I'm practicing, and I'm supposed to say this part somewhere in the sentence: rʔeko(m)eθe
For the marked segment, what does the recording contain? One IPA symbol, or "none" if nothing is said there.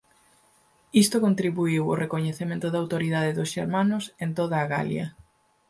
ɲ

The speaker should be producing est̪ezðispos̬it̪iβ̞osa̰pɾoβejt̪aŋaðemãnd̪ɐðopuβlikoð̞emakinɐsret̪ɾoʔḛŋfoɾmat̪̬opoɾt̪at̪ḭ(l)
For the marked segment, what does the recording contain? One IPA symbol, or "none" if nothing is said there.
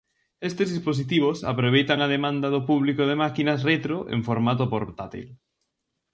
l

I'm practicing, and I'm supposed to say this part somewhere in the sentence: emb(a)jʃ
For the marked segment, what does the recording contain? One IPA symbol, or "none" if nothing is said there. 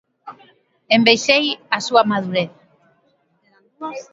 e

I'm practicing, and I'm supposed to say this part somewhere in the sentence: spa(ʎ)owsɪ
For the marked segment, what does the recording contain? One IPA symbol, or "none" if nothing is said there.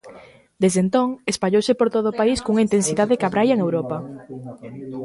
ʎ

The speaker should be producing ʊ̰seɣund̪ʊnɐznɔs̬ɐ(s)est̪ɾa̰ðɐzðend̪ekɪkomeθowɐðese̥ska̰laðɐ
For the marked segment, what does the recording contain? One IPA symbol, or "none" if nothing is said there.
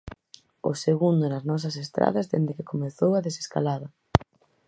s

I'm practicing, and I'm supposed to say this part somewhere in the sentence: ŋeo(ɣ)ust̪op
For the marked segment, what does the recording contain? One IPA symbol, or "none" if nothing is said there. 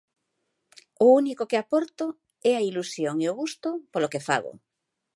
ɣ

